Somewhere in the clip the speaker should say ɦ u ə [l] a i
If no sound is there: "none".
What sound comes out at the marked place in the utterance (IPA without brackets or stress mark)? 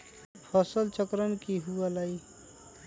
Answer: l